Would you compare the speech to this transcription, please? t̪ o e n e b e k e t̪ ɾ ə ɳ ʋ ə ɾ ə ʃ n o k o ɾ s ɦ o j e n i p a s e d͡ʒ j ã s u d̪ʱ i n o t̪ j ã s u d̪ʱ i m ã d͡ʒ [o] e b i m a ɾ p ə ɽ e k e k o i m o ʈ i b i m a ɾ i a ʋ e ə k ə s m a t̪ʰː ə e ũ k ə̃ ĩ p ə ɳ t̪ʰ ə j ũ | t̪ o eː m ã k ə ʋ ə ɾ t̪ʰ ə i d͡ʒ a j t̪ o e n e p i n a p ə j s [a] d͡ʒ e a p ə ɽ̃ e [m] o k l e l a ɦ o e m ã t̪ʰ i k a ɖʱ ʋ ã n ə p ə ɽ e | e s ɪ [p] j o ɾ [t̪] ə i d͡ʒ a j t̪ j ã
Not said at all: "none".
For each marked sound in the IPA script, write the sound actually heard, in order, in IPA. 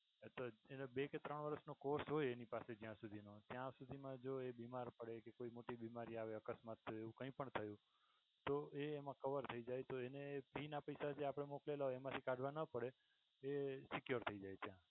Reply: o, a, m, k, t̪ʰ

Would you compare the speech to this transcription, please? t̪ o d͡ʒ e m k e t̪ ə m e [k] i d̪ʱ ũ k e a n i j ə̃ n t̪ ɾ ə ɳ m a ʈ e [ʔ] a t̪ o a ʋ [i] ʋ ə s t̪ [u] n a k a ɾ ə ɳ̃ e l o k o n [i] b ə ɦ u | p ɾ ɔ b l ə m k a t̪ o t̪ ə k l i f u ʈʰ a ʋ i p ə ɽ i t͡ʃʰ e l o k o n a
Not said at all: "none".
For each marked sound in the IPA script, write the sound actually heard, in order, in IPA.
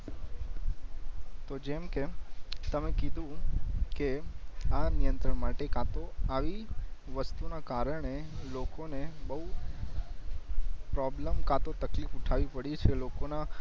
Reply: k, k, i, u, e

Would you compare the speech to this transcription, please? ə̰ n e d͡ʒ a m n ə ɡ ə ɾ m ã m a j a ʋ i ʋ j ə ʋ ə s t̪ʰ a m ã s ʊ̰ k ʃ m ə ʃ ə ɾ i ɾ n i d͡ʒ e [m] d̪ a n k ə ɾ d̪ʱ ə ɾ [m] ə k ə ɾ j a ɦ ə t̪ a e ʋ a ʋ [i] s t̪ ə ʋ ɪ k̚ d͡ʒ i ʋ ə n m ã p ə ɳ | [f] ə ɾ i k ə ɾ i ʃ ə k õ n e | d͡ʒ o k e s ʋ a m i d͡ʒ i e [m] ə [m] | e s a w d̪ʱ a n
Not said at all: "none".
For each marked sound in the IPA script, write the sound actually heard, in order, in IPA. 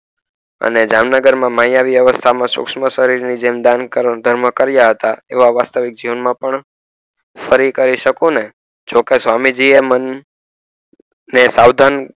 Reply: m, m, a, f, m, n

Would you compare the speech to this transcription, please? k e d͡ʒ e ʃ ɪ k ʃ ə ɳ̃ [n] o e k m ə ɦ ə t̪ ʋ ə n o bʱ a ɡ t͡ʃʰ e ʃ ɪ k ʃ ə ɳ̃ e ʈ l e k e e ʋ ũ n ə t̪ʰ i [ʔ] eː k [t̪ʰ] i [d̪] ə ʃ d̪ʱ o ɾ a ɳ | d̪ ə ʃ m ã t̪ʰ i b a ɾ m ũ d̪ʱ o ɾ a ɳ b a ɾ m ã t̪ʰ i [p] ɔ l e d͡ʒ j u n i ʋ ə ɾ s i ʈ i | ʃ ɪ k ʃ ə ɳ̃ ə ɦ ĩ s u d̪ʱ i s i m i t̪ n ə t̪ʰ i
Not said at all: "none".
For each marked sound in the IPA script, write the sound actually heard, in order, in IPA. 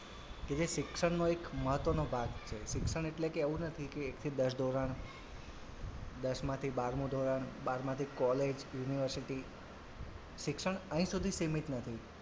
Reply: n, k, t̪ʰ, d̪, k

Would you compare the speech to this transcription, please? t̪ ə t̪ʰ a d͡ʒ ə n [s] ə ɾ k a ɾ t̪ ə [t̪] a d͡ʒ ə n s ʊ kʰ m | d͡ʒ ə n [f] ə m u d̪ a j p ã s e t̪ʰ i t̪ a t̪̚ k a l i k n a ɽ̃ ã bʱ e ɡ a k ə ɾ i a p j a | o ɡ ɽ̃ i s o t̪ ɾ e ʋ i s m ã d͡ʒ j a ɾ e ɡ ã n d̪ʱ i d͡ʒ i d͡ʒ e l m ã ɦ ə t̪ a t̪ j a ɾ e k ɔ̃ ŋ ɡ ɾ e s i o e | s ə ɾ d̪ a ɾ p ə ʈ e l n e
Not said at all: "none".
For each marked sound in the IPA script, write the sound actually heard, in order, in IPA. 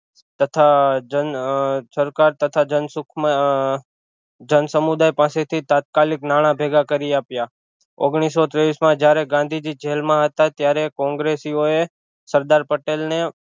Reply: s, t̪ʰ, s

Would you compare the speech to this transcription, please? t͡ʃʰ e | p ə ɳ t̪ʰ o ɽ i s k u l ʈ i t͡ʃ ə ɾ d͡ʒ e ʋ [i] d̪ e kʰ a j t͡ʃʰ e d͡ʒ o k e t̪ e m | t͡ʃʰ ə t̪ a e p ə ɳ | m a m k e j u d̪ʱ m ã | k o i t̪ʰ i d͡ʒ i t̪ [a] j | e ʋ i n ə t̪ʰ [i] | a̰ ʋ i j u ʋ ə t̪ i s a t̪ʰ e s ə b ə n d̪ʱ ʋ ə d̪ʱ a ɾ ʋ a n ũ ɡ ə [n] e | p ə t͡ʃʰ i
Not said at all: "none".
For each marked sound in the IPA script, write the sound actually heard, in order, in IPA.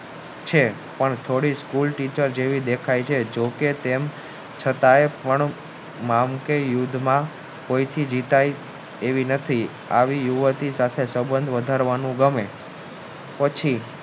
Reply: i, a, i, m

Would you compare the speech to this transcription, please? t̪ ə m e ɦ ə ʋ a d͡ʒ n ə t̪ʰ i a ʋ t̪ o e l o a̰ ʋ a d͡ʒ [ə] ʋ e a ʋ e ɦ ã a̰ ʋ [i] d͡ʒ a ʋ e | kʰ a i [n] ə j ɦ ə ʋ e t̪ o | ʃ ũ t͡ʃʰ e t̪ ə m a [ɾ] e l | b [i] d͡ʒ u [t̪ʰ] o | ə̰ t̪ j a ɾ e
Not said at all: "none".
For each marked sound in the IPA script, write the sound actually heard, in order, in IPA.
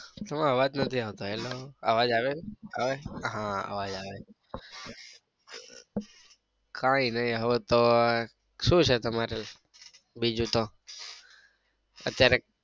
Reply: a, a, n, ɾ, i, t̪

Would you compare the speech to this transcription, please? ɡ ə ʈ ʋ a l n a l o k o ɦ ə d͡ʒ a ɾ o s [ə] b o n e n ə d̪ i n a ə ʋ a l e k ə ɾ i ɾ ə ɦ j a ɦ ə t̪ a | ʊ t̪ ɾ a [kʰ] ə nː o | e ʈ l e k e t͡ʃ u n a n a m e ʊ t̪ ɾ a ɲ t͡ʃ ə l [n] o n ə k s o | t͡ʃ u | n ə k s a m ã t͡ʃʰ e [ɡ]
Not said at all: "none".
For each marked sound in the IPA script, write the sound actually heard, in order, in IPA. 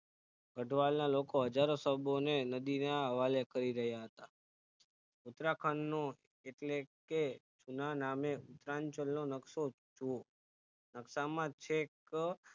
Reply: ə, kʰ, n, k

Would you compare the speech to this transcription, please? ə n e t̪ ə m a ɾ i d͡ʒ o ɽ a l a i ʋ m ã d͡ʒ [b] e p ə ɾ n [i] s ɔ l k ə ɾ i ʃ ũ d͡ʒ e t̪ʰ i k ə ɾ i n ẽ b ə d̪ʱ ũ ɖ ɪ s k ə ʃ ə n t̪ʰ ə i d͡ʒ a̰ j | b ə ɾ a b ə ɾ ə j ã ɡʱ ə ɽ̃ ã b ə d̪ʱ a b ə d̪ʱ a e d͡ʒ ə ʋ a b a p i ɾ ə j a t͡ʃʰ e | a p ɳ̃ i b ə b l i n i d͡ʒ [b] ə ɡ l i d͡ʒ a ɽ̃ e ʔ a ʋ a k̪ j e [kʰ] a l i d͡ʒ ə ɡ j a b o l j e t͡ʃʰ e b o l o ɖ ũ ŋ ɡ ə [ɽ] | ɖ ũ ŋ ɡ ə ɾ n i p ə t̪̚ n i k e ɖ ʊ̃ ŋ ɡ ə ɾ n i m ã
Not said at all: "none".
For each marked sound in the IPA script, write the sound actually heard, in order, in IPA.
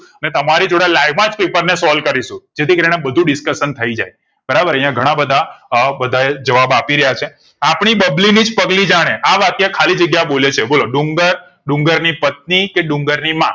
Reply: p, e, p, kʰ, ɾ

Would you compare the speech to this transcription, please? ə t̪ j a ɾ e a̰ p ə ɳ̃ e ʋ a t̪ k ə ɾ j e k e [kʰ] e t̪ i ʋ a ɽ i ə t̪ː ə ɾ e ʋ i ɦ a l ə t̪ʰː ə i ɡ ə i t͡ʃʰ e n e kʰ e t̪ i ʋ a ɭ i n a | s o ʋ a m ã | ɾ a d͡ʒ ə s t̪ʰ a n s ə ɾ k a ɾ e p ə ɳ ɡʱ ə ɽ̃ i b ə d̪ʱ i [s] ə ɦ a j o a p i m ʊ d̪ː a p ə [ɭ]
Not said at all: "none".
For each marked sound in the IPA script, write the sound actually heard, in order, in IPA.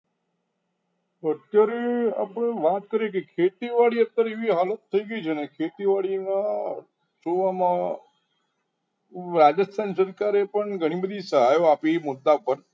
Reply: kʰ, s, ɾ

